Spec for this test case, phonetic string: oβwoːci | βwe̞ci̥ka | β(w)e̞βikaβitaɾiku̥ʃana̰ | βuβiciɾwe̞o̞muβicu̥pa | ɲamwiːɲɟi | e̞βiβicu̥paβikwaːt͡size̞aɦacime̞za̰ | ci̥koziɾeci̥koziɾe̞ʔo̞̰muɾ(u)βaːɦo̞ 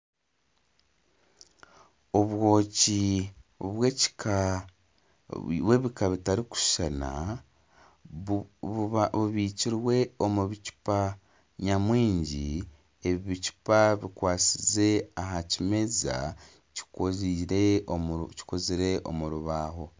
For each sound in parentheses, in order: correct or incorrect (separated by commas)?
correct, correct